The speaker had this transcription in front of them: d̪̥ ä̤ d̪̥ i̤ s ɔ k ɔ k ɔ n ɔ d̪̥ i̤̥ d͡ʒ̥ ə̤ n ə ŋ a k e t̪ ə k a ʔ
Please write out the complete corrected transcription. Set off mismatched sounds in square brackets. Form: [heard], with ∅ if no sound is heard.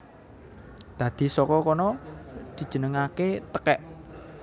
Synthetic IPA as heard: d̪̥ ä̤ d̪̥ i̤ s ɔ k ɔ k ɔ n ɔ d̪̥ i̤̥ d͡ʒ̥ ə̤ n ə ŋ a k e t̪ ə k [ɛ] ʔ